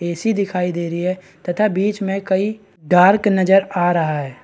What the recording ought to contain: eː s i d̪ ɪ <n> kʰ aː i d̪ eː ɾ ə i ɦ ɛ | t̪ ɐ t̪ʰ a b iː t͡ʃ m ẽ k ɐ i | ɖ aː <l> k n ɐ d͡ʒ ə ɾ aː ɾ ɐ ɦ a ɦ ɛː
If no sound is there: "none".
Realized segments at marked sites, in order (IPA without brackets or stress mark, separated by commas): none, ɾ